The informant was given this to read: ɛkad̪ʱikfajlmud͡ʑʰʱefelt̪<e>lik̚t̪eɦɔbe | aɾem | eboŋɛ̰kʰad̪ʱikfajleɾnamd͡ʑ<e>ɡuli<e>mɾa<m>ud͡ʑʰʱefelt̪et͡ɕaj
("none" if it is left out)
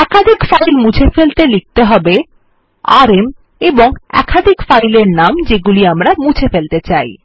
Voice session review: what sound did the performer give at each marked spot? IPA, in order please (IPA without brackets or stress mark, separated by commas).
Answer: e, e, a, m